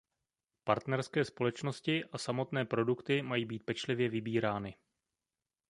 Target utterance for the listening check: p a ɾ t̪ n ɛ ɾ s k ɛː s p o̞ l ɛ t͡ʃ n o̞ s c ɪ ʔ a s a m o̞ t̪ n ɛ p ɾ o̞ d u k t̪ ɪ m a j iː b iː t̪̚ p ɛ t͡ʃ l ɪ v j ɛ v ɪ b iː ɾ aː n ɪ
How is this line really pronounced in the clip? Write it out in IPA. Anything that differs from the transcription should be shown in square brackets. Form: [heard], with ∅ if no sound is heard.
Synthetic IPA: p a ɾ t̪ n ɛ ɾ s k ɛː s p o̞ l ɛ t͡ʃ n o̞ s c ɪ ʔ a s a m o̞ t̪ n [ɛː] p ɾ o̞ d u k t̪ ɪ m a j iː b iː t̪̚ p ɛ t͡ʃ l ɪ v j ɛ v ɪ b iː ɾ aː n ɪ